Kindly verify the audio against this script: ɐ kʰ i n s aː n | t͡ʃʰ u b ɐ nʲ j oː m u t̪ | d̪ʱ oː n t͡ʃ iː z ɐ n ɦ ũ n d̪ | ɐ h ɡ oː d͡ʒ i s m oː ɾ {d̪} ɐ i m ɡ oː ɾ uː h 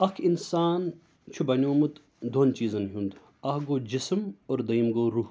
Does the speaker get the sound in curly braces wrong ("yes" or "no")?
no